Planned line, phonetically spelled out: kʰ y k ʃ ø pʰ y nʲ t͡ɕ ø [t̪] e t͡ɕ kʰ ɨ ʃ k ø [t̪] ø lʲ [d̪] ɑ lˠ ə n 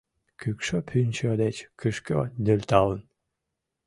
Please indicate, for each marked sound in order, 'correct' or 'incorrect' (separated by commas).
incorrect, incorrect, incorrect